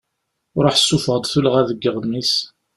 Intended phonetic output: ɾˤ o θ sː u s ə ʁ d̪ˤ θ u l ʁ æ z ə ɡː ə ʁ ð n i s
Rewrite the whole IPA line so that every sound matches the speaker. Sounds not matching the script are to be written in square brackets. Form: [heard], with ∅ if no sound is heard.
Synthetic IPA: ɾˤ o [ħ] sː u [f] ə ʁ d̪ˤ θ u l ʁ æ [ð] ə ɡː ə ʁ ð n i s